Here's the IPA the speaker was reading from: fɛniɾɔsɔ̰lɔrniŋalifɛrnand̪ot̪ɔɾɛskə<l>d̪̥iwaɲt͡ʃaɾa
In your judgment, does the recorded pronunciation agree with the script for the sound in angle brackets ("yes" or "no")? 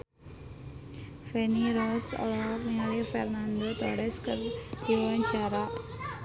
no